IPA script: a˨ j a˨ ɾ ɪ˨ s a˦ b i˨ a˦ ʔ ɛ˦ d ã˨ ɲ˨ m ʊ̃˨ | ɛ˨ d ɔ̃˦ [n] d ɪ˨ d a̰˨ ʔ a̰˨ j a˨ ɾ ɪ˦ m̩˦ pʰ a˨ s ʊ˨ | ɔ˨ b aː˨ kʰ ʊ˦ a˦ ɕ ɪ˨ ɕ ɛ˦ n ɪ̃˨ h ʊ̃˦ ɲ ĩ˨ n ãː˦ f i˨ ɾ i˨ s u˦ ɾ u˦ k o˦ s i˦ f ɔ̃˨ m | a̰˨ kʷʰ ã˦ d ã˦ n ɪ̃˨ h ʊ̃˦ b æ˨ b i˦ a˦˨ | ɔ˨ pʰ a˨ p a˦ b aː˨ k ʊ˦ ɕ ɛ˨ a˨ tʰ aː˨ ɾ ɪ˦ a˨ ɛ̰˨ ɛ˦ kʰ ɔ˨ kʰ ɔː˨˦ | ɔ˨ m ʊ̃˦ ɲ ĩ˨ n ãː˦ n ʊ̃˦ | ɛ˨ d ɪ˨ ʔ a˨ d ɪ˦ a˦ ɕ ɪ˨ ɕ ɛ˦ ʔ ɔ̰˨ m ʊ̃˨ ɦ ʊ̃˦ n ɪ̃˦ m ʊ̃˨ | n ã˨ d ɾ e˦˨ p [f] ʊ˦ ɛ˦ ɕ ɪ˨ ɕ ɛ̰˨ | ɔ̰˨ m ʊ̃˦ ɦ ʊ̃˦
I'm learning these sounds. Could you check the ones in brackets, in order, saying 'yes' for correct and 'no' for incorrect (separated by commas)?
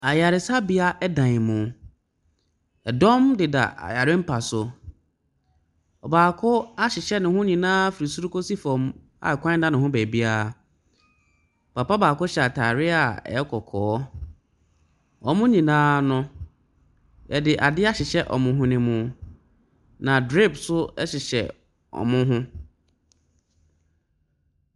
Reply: no, no